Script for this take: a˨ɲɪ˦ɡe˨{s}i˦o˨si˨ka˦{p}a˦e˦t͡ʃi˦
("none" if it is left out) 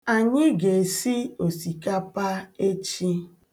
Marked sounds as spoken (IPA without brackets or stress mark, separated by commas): s, p